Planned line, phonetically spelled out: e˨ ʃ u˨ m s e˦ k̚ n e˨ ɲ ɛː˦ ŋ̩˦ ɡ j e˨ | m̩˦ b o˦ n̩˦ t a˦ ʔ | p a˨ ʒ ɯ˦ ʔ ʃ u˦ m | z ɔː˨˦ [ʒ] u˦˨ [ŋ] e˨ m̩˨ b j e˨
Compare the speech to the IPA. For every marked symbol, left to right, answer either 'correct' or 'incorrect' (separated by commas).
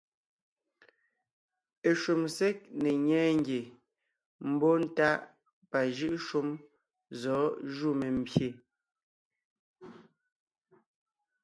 correct, incorrect